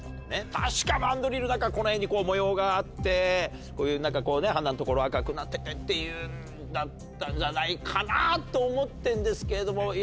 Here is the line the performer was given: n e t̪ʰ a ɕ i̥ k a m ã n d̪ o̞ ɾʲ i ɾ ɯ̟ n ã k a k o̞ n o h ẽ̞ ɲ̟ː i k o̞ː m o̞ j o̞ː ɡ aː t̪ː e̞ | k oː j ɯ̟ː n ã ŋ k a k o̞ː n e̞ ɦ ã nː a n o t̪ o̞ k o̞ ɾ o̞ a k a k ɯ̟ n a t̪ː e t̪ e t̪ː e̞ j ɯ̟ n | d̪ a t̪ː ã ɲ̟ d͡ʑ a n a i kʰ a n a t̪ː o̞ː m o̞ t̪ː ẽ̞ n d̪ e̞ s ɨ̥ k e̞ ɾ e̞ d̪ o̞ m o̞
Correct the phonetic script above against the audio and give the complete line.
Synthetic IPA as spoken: n e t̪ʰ a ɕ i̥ k a m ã n d̪ o̞ ɾʲ i ɾ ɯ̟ n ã k a k o̞ n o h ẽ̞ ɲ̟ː i k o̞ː m o̞ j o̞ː ɡ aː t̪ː e̞ | k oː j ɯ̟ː n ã ŋ k a k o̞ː n e̞ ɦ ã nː a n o t̪ o̞ k o̞ ɾ o̞ a k a k ɯ̟ n a t̪ː e t̪ e t̪ː e̞ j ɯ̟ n | d̪ a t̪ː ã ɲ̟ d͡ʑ a n a i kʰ a n a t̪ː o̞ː m o̞ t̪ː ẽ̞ n d̪ e̞ s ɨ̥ k e̞ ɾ e̞ d̪ o̞ m o̞